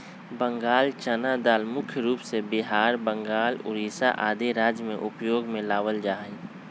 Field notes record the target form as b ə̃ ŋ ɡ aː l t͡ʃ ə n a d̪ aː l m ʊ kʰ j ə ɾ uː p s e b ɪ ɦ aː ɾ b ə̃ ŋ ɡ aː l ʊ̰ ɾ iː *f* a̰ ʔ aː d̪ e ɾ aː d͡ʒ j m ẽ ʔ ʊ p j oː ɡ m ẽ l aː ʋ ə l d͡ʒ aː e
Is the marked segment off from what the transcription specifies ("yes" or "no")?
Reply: yes